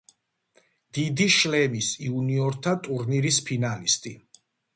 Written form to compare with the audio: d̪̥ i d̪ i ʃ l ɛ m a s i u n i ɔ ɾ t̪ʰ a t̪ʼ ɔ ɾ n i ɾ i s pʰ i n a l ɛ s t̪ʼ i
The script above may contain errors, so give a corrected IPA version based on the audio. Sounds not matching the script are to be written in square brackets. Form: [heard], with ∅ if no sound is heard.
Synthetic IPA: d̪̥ i d̪ i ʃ l ɛ m [i] s i u n i ɔ ɾ t̪ʰ a t̪ʼ [u] ɾ n i ɾ i s pʰ i n a l [i] s t̪ʼ i